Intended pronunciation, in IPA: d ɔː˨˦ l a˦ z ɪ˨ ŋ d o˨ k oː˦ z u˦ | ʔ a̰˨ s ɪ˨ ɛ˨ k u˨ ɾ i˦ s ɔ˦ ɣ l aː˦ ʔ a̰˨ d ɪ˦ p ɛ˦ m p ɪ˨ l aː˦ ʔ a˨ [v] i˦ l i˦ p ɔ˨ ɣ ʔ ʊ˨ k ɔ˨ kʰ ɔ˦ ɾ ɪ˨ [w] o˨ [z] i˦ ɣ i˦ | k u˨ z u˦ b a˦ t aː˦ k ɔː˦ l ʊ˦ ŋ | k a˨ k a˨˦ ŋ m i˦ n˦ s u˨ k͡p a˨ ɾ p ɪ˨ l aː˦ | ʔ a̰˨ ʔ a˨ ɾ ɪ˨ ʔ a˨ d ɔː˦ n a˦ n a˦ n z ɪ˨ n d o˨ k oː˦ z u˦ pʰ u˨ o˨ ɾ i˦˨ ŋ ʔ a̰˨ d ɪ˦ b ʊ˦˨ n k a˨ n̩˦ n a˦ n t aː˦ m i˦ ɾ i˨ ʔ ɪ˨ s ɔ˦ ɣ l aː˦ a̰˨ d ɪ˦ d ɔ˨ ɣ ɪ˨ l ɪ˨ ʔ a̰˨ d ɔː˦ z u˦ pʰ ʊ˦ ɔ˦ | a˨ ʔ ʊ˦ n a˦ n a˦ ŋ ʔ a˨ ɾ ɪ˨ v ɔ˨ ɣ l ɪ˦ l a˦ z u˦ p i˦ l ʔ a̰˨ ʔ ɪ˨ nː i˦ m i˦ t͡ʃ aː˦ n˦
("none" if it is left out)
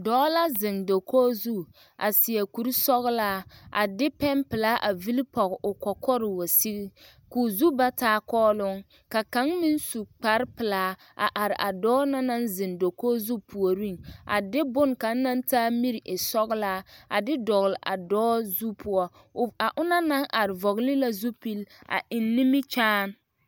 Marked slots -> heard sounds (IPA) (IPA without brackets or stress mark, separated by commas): v, w, s